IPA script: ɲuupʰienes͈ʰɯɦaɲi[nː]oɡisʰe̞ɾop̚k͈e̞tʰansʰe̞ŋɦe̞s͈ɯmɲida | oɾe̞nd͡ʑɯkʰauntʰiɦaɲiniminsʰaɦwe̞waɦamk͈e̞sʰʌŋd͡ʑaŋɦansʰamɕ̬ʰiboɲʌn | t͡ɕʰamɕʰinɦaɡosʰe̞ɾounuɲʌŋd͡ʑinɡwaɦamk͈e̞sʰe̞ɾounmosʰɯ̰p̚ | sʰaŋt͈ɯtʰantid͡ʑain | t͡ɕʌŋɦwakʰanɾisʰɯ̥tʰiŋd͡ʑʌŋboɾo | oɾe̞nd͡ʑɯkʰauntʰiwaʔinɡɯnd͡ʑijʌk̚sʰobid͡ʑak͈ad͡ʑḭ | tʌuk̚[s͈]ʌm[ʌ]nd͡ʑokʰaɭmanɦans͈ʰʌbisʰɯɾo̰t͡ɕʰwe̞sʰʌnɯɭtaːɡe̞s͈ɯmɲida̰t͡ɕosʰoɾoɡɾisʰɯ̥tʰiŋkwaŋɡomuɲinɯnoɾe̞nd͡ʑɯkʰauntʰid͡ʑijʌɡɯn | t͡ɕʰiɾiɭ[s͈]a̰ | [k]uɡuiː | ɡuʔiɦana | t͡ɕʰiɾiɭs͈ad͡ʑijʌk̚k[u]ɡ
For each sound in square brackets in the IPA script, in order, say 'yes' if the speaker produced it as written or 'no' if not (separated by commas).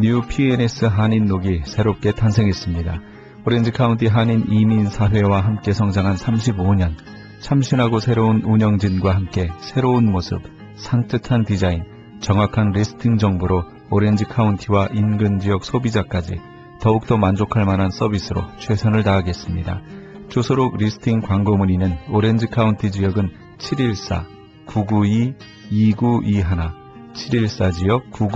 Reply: yes, no, no, yes, yes, yes